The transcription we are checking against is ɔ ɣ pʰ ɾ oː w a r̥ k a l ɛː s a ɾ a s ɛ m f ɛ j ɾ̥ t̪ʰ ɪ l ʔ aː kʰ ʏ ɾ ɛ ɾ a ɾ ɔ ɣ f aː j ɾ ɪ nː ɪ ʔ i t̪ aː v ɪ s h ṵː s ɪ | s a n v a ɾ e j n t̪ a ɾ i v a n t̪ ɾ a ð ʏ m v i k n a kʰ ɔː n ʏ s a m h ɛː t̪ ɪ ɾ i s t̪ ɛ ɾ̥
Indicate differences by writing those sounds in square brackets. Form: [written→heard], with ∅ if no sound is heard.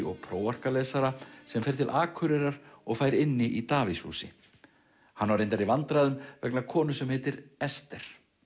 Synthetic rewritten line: ɔ ɣ pʰ ɾ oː w a r̥ k a l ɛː s a ɾ a s ɛ m f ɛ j ɾ̥ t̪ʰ ɪ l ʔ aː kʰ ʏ ɾ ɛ ɾ a ɾ ɔ ɣ f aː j ɾ ɪ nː ɪ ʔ i t̪ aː v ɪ s h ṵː s ɪ | [s→h] a n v a ɾ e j n t̪ a ɾ i v a n t̪ ɾ a ð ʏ m v [i→ɛ] k n a kʰ ɔː n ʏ s [a→ɛ] m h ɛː t̪ ɪ ɾ [i→ɛ] s t̪ ɛ ɾ̥